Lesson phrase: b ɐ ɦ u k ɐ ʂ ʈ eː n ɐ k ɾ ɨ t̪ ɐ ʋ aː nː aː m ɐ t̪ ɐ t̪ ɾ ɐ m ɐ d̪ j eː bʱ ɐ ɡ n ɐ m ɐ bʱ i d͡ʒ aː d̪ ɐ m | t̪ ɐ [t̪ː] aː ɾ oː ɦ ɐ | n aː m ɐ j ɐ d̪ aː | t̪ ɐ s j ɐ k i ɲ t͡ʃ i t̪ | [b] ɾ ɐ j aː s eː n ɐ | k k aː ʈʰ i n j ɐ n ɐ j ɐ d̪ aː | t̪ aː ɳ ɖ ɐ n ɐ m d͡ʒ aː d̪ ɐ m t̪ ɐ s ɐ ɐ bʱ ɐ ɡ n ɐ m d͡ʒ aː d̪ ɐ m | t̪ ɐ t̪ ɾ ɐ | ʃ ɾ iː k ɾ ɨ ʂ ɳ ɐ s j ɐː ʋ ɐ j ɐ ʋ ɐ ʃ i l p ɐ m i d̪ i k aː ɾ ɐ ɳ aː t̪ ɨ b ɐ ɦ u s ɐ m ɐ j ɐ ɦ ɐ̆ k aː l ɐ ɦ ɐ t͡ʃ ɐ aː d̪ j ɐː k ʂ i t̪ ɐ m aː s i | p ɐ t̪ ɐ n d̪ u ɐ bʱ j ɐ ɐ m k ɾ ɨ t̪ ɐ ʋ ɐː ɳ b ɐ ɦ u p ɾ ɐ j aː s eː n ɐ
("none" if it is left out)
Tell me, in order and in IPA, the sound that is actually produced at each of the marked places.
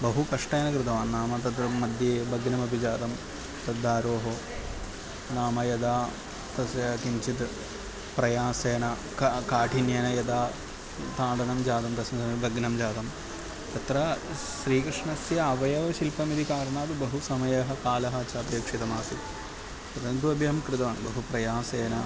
d̪ː, p

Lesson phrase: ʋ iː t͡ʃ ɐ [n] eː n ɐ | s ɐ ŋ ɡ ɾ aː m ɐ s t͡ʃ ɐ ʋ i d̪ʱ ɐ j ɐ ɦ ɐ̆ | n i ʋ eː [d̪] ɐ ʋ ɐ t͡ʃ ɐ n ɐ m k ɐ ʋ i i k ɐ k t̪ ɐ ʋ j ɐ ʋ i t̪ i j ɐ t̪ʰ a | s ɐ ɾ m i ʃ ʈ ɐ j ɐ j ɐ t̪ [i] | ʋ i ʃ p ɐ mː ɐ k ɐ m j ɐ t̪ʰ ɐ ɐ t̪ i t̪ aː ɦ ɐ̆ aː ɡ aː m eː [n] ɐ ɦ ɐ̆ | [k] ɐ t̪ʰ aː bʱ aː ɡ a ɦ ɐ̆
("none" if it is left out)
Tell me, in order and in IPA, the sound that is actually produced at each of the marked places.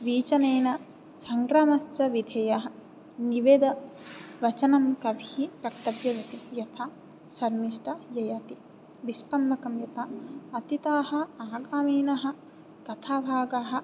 n, d̪, i, n, k

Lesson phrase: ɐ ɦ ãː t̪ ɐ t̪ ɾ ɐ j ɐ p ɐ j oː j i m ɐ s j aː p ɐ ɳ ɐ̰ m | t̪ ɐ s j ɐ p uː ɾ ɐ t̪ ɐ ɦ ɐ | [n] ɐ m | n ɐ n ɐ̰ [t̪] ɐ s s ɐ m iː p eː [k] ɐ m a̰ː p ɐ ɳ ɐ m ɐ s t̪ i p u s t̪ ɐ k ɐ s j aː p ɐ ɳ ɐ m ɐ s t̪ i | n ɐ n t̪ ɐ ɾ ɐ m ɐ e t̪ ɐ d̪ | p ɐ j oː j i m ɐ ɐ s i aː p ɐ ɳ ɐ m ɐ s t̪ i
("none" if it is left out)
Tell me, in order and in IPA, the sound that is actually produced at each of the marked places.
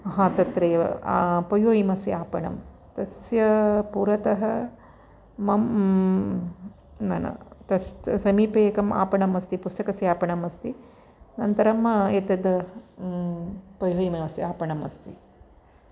m, t̪, k

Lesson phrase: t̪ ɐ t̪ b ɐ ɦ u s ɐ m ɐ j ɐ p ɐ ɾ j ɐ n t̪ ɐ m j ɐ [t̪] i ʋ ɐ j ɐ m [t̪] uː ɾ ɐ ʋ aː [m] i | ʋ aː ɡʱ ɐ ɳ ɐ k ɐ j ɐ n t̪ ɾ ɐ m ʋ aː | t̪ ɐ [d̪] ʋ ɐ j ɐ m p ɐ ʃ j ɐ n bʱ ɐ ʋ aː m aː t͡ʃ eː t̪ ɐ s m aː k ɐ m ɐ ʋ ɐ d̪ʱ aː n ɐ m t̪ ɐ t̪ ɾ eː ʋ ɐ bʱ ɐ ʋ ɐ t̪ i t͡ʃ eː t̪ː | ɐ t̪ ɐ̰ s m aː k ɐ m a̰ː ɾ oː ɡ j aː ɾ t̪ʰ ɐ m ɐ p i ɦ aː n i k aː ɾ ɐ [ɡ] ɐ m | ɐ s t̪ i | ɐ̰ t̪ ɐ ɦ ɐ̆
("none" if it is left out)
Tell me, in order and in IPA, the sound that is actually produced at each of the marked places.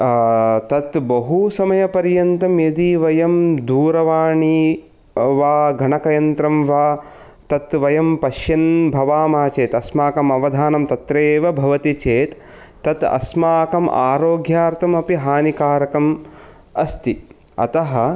d̪, d̪, ɳ, t̪, k

